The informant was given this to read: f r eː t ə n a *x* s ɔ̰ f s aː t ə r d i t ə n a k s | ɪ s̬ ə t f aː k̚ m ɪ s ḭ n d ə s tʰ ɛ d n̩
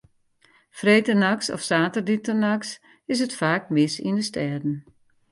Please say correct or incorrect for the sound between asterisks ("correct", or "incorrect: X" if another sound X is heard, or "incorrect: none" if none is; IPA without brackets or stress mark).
incorrect: k